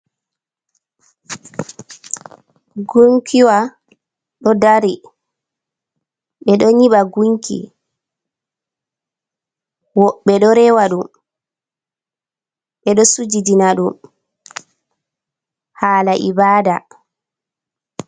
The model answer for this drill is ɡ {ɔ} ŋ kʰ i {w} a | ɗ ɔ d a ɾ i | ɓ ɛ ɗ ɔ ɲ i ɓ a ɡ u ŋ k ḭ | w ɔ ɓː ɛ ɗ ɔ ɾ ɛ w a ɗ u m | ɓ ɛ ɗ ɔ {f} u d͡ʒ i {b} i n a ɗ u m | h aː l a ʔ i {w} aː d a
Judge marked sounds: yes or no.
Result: no, yes, no, no, no

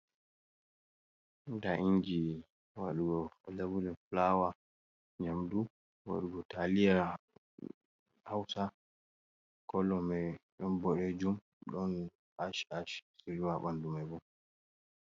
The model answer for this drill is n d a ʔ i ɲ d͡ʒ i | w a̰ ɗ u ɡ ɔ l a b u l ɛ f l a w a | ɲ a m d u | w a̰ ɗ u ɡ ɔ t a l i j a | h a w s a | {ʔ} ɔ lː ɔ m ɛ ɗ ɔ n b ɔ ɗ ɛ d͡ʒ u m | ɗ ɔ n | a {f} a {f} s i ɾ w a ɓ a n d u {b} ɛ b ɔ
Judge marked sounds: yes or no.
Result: no, no, no, no

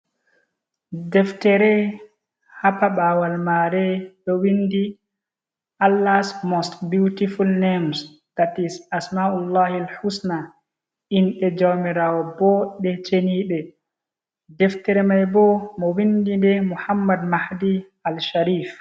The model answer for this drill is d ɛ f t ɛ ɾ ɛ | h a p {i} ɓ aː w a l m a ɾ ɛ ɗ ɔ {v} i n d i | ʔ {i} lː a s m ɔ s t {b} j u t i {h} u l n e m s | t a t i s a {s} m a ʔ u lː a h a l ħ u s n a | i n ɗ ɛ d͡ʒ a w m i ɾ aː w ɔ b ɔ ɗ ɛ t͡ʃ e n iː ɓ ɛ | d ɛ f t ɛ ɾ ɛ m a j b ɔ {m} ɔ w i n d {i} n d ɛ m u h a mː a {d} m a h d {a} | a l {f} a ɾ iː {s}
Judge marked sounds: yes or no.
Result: no, no, no, yes, no, yes, yes, yes, yes, no, no, no

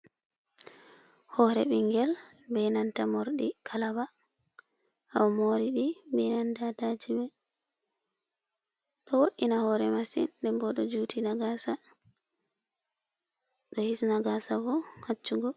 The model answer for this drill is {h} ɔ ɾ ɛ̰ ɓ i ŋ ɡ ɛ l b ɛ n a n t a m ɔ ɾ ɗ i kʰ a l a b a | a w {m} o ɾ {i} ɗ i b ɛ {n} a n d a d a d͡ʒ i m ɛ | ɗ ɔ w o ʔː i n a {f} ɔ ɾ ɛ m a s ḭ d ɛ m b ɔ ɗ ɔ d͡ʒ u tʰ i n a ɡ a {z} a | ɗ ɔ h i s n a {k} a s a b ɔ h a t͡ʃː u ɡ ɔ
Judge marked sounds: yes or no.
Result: yes, yes, yes, yes, no, no, no

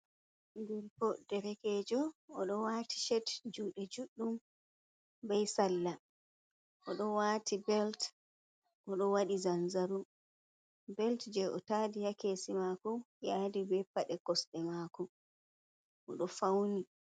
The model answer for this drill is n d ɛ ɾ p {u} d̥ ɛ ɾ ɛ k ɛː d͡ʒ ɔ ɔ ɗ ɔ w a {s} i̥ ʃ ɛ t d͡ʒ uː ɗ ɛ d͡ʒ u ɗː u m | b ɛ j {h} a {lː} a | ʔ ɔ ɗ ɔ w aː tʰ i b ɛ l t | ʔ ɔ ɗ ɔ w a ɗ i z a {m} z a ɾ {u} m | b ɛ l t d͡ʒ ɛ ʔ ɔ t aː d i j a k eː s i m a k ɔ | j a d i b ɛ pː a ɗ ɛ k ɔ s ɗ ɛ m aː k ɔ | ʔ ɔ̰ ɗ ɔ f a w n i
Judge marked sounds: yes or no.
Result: no, no, no, yes, no, yes

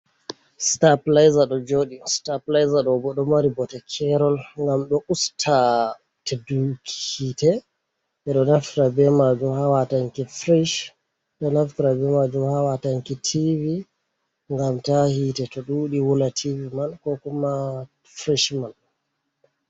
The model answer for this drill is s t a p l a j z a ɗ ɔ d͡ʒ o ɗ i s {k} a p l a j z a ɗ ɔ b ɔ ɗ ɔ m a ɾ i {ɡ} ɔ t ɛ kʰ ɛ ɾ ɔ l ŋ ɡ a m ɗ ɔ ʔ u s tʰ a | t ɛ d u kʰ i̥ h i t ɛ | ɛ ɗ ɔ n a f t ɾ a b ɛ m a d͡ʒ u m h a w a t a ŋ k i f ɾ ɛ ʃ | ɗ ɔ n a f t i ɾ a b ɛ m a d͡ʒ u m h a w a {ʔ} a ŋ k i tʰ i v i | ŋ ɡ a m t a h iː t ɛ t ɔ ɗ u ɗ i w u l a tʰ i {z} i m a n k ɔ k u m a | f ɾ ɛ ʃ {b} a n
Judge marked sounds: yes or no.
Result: no, no, no, no, no

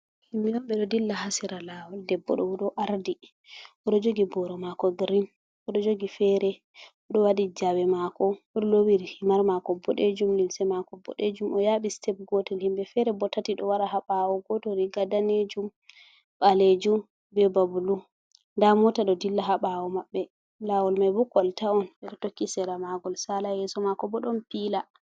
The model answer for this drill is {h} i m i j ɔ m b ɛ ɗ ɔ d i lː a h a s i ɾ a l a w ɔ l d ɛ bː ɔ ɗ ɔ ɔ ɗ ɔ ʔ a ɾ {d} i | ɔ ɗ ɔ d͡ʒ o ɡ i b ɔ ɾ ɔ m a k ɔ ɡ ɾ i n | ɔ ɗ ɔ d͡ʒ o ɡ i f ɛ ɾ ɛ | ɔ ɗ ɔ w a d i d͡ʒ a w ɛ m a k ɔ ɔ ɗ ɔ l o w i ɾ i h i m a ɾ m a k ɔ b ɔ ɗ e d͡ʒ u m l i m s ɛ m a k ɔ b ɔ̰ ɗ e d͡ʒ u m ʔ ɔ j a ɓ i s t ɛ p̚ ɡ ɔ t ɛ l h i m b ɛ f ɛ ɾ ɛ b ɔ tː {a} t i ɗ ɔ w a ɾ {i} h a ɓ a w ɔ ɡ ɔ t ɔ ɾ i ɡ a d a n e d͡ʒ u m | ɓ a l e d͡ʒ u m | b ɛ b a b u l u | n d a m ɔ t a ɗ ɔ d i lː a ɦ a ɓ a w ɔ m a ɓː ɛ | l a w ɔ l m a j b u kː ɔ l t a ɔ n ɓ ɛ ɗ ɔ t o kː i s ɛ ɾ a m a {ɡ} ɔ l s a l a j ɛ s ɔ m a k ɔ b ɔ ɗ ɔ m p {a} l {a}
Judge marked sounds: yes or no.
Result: yes, yes, yes, no, yes, no, yes

